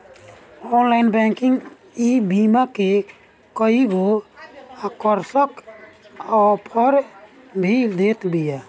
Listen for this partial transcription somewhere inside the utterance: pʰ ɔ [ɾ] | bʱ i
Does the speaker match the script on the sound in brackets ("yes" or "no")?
yes